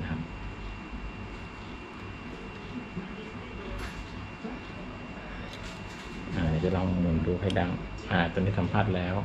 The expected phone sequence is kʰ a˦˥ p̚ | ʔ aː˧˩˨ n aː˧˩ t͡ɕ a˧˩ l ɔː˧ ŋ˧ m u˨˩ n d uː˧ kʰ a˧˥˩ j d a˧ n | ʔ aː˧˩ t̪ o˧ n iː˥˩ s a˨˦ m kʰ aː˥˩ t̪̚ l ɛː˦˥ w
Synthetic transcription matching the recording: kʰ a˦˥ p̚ | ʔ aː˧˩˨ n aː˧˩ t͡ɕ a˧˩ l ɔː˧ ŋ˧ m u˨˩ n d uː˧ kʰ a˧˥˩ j d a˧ ŋ | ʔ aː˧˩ t̪ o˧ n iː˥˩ s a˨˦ m pʰ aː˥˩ t̪̚ l ɛː˦˥ w